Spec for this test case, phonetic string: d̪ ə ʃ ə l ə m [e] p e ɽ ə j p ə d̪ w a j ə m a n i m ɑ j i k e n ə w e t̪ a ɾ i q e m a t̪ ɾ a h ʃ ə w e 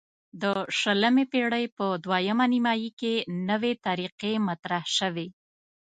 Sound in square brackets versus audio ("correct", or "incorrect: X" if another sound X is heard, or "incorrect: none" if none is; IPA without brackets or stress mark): correct